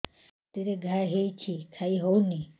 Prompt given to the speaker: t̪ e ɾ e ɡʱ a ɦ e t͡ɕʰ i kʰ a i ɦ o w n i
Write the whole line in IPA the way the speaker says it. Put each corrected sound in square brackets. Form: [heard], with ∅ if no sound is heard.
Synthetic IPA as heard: t̪ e ɾ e ɡʱ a ɦ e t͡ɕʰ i kʰ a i ɦ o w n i

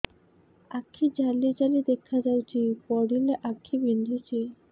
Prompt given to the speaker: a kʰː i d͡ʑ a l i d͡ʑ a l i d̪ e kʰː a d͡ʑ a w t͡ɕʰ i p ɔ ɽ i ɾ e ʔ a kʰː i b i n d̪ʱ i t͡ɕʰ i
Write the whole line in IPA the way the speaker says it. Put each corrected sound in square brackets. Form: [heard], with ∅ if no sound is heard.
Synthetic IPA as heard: a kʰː i d͡ʑ a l i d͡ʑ a l i d̪ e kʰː a d͡ʑ a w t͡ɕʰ i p ɔ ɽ i [l] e ʔ a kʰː i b i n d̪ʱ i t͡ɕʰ i

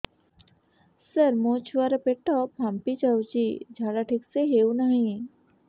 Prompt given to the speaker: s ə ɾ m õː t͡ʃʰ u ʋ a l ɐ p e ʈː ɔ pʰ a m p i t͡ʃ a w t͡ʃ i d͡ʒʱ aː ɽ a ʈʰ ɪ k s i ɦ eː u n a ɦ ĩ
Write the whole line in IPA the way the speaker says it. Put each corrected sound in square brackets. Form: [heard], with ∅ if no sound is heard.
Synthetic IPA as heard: s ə ɾ m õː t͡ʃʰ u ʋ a [ɾ] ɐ p e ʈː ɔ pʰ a m p i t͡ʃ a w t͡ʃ i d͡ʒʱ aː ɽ a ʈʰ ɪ k s [e] ɦ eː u n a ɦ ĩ

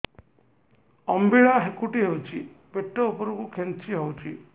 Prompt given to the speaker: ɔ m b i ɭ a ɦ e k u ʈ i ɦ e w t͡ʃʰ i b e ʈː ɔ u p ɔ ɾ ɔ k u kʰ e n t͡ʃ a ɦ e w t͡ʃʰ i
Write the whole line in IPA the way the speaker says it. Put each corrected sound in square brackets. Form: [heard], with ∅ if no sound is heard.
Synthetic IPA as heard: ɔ m b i ɭ a ɦ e k u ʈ i ɦ e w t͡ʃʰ i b e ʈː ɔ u p ɔ ɾ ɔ k u kʰ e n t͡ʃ [i] ɦ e w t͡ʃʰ i

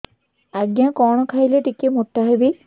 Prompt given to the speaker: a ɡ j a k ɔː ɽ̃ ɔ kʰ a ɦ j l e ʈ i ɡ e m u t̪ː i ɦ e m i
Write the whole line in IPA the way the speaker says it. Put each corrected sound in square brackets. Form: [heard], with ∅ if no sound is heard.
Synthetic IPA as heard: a ɡ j a k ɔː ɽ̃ ɔ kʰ a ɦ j l e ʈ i [k] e m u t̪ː [a] ɦ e [b] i

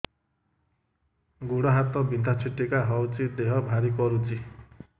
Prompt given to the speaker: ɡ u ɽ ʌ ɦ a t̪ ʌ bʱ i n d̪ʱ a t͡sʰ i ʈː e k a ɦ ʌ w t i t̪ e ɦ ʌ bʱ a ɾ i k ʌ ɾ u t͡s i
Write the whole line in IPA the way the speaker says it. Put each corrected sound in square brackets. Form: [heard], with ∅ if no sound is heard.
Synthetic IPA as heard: ɡ u ɽ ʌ ɦ a t̪ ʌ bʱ i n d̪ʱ a t͡sʰ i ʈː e k a ɦ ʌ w [t͡s] i [d̪] e ɦ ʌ bʱ a ɾ i k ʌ ɾ u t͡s i

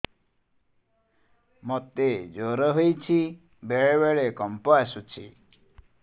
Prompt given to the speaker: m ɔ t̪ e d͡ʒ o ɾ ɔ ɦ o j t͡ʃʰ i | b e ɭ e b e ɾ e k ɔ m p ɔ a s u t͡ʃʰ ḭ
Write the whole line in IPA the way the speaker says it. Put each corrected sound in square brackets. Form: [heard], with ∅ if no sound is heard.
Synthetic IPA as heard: m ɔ t̪ e d͡ʒ o ɾ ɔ ɦ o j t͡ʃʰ i | b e ɭ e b e [ɭ] e k ɔ m p ɔ a s u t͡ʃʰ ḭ

